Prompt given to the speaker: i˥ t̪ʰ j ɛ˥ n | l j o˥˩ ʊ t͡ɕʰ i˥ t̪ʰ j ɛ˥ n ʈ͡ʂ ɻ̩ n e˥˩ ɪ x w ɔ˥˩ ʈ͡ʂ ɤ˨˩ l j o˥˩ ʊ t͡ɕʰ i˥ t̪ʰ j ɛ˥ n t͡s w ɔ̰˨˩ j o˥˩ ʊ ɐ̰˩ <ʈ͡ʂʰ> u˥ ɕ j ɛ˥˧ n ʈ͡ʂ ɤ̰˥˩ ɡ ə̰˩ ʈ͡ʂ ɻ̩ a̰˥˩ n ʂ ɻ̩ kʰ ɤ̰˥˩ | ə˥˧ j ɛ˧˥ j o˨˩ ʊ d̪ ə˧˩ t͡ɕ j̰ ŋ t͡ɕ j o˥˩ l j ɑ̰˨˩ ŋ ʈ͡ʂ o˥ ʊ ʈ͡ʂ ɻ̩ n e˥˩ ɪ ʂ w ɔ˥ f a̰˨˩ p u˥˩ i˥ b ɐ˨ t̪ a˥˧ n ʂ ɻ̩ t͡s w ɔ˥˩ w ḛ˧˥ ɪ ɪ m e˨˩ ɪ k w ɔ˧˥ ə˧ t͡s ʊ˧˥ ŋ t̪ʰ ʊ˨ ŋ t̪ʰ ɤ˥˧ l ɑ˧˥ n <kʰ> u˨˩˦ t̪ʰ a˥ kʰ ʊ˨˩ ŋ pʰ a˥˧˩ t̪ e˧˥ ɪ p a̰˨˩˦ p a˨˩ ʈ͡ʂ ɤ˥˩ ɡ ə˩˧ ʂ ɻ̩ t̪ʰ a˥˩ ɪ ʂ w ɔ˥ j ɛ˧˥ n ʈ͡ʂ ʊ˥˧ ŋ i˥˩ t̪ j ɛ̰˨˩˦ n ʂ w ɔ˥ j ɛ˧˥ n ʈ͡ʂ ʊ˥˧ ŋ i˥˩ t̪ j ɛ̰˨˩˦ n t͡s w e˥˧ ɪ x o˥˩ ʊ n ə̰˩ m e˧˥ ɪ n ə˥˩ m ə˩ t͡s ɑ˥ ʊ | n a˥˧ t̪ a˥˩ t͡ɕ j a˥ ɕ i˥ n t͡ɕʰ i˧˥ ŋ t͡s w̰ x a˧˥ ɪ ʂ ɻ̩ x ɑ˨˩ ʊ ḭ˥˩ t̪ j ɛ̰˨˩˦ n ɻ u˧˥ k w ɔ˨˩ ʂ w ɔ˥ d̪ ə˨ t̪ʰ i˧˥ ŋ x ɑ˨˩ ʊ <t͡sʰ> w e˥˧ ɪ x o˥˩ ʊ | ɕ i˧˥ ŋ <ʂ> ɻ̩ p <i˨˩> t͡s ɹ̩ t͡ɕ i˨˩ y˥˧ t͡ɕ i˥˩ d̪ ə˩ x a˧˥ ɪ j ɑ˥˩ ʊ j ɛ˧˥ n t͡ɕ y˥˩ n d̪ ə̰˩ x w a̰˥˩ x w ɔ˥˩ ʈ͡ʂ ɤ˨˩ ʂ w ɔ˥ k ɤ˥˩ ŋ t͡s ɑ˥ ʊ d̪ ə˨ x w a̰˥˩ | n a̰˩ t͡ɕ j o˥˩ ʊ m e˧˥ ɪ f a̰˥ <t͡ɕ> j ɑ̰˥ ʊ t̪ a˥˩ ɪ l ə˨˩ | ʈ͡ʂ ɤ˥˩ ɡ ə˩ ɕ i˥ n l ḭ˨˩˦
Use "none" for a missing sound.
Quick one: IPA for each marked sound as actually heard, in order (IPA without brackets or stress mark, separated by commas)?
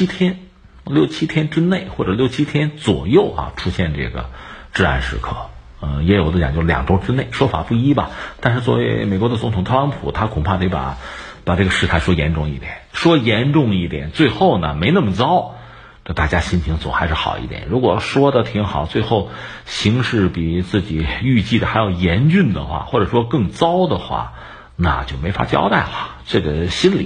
ʈ͡ʂʰ, pʰ, t͡s, ʂ, i˨˩, t͡ɕ